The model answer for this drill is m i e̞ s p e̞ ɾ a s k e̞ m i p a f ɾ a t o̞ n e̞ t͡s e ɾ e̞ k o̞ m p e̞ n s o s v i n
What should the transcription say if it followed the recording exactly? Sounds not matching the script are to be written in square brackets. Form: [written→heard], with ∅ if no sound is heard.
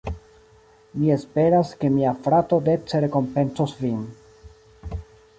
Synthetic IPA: m i e̞ s p e̞ ɾ a s k e̞ m i [p→∅] a f ɾ a t o̞ [n→d] e̞ t͡s e ɾ e̞ k o̞ m p e̞ n s o s v i n